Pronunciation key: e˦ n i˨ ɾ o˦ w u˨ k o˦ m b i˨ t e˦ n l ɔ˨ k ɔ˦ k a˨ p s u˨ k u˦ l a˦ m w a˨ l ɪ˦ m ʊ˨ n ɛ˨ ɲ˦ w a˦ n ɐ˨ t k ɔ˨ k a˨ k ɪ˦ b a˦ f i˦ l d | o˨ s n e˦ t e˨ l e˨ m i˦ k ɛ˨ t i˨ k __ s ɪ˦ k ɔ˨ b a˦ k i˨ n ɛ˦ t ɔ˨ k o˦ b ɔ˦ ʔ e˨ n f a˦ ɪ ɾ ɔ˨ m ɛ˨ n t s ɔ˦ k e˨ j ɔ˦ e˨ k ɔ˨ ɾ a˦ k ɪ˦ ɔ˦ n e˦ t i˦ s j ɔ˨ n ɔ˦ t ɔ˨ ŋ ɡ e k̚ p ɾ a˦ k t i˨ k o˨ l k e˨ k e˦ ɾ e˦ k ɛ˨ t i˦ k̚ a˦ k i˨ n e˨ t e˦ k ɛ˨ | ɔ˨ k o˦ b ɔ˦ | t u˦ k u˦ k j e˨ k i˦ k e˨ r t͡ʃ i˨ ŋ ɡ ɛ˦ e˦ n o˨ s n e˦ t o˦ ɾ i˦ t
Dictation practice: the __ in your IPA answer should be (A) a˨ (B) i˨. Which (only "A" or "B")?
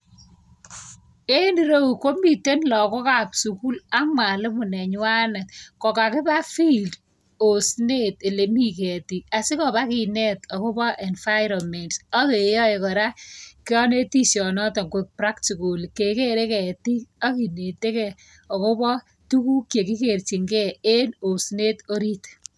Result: A